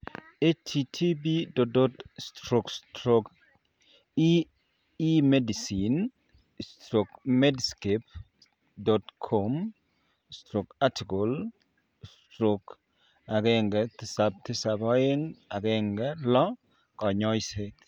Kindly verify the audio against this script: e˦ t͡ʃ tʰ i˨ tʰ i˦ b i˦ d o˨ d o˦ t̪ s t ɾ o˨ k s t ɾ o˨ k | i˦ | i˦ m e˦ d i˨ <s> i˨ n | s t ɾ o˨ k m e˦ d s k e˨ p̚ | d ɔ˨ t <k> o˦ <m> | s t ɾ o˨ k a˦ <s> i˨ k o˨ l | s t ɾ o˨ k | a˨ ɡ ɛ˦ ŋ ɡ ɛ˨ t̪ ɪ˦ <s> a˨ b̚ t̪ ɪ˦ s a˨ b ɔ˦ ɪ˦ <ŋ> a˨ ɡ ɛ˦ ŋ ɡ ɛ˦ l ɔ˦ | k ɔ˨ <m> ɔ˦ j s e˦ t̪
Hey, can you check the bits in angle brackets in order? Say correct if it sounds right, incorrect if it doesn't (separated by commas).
correct, incorrect, correct, incorrect, correct, correct, incorrect